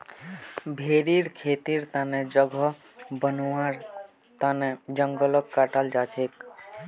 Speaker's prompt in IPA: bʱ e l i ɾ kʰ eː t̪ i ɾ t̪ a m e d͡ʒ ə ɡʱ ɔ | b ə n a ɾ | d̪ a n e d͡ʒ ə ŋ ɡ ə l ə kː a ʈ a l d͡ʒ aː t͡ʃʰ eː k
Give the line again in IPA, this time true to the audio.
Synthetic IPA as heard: bʱ e ɾ i ɾ kʰ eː t̪ i ɾ t̪ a n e d͡ʒ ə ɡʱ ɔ | b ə n a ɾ | t̪ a n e d͡ʒ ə ŋ ɡ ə l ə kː a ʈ a l d͡ʒ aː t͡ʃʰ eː k